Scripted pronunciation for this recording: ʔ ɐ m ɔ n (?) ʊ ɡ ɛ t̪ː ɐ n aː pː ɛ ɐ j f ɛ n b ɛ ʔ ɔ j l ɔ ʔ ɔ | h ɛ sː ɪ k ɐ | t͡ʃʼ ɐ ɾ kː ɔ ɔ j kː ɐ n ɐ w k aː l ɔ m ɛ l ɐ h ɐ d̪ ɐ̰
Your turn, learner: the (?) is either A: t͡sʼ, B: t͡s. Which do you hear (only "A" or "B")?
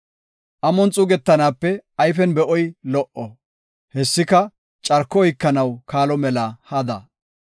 A